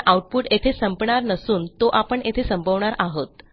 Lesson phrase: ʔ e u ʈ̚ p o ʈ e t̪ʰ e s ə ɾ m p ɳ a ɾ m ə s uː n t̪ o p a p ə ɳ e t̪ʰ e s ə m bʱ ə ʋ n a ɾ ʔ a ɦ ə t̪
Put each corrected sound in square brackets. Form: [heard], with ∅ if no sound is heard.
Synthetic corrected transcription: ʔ [a] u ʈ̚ p [u] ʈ e t̪ʰ e s ə [∅] m p ɳ a ɾ [n] ə s uː n t̪ o [ʔ] a p ə ɳ e t̪ʰ e s ə m bʱ ə ʋ [ɳ] a ɾ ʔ a ɦ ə t̪